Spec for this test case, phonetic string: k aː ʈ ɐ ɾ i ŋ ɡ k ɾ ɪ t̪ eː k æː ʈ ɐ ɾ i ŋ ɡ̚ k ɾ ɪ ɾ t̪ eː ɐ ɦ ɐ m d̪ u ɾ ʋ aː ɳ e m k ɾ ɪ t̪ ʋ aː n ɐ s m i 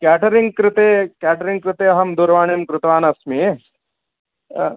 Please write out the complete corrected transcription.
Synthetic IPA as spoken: k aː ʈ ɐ ɾ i ŋ ɡ k ɾ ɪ t̪ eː k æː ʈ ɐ ɾ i ŋ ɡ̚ k ɾ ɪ t̪ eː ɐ ɦ ɐ m d̪ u ɾ ʋ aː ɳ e m k ɾ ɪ t̪ ʋ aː n ɐ s m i